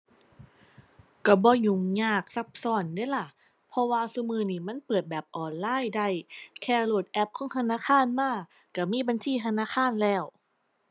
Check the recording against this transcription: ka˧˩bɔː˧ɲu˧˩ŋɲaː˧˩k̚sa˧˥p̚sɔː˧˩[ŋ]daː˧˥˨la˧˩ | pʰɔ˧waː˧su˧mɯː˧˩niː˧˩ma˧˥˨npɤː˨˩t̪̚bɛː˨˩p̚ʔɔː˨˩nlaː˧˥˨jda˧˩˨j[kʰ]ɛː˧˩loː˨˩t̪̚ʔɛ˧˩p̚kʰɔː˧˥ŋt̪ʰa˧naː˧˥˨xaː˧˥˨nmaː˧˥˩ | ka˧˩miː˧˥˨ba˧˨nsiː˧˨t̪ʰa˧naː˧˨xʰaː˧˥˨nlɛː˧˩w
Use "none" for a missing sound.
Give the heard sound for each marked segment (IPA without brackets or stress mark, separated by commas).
n, kʰ